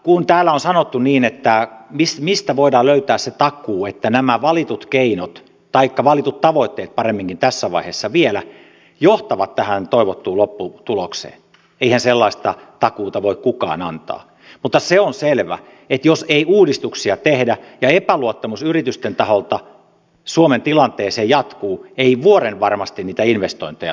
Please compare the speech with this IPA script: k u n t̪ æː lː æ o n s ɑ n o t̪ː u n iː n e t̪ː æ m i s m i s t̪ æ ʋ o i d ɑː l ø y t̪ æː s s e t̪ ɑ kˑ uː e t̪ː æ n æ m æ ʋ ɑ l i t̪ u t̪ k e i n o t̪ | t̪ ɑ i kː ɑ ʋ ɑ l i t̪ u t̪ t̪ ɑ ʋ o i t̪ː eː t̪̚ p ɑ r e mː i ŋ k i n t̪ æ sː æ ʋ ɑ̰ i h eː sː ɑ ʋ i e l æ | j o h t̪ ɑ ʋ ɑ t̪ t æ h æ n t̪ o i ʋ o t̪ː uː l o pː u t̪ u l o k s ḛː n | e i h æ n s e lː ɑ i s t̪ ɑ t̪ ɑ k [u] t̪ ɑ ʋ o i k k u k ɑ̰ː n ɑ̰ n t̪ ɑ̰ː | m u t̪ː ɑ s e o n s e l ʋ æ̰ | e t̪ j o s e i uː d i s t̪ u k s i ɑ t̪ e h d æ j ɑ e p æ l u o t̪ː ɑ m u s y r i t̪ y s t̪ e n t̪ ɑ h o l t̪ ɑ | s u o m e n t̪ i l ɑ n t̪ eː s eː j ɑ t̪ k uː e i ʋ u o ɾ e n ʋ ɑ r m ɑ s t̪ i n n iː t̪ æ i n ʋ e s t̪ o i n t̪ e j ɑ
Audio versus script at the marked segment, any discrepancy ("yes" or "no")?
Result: yes